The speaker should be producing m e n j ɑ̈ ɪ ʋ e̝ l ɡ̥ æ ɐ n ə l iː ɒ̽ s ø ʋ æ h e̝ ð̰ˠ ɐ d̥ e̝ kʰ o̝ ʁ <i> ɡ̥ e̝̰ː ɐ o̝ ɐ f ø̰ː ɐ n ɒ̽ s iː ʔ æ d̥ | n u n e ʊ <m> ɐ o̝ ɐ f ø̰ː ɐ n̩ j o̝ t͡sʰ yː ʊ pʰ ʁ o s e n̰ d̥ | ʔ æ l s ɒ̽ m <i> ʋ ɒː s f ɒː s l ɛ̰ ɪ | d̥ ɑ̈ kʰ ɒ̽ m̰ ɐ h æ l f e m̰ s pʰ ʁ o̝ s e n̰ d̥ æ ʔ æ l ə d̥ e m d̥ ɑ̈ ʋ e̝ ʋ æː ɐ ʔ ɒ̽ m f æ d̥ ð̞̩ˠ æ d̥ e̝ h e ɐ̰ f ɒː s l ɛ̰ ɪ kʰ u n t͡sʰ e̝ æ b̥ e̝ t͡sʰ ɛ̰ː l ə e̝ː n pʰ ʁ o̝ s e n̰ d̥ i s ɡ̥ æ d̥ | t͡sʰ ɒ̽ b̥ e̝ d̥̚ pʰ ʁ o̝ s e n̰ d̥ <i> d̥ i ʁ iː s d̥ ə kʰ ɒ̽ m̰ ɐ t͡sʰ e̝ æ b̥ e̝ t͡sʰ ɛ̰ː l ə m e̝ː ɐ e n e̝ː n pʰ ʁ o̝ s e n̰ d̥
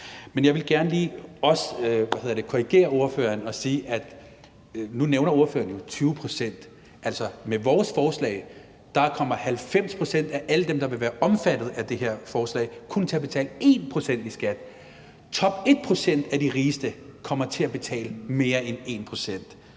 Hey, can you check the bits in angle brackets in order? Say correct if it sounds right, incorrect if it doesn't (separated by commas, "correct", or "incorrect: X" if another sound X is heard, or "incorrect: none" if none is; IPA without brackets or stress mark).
correct, incorrect: n, incorrect: e, incorrect: æ